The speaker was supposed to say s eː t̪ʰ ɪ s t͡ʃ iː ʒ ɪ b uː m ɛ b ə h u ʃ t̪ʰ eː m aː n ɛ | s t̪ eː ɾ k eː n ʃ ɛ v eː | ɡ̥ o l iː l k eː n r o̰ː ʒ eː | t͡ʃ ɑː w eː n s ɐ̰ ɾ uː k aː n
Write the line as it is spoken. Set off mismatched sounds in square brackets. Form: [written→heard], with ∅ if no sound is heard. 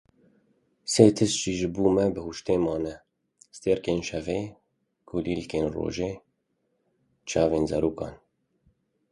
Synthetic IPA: s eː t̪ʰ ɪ s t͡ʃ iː ʒ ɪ b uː m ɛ b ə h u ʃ [t̪ʰ→t̪] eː m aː n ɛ | s t̪ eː ɾ k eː n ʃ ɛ v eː | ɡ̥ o l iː l k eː n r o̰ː ʒ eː | t͡ʃ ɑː [w→v] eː n [s→z] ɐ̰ ɾ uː k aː n